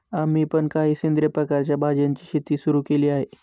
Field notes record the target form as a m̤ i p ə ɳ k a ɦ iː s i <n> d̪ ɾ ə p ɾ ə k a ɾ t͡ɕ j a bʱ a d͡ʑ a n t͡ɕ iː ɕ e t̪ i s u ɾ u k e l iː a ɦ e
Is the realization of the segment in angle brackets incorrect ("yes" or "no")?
no